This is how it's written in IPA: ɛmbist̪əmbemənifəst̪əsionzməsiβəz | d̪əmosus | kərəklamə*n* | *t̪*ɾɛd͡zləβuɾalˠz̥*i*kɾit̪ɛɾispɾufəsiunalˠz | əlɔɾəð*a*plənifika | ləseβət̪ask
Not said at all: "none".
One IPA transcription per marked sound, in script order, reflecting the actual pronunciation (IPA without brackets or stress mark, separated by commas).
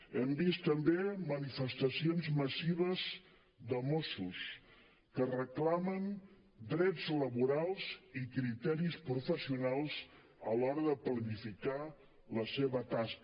n, d̪, i, ə